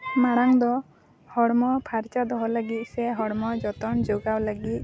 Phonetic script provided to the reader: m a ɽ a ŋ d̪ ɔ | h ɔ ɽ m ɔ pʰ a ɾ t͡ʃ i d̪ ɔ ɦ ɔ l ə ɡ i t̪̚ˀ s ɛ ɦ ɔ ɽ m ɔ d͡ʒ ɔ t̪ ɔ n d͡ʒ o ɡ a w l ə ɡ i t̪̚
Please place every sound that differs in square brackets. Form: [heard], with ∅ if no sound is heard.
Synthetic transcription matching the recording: m a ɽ a ŋ d̪ ɔ | h ɔ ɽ m ɔ pʰ a ɾ t͡ʃ [a] d̪ ɔ ɦ ɔ l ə ɡ i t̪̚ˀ s ɛ ɦ ɔ ɽ m ɔ d͡ʒ ɔ t̪ ɔ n d͡ʒ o ɡ a w l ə ɡ i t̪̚